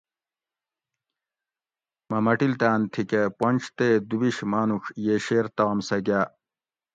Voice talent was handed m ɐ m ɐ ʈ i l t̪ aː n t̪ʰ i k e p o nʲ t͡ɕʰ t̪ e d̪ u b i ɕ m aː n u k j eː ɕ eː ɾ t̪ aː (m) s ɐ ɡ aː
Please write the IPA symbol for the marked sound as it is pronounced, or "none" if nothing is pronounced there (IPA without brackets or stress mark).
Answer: m